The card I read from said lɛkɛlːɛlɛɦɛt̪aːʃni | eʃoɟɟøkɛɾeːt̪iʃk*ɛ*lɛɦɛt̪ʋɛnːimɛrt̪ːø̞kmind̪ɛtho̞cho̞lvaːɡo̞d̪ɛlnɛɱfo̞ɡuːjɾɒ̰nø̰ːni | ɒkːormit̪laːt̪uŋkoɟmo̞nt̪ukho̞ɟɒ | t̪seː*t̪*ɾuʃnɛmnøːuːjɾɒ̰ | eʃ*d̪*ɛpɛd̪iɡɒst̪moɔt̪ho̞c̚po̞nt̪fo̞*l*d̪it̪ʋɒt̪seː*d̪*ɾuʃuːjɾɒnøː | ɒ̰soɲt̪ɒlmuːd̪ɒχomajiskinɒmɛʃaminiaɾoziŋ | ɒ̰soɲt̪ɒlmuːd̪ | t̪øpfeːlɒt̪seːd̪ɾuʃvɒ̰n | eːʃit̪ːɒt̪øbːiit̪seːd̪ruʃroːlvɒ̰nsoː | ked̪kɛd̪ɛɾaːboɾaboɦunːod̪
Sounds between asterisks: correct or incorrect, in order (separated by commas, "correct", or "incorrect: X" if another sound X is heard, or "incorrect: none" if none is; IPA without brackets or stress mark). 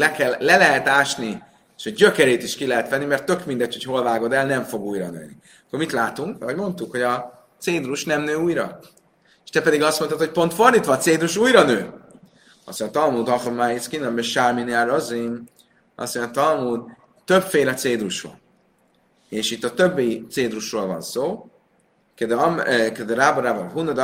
incorrect: i, incorrect: d̪, incorrect: t̪, incorrect: r, correct